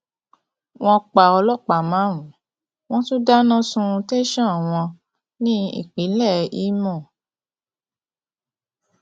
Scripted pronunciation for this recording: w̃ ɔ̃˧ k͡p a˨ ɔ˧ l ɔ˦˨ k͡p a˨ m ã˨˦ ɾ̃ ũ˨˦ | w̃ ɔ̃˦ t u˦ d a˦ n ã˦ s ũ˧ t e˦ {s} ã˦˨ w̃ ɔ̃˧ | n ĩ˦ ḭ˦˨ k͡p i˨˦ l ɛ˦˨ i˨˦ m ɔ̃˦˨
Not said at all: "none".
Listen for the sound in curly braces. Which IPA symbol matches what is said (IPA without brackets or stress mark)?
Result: ʃ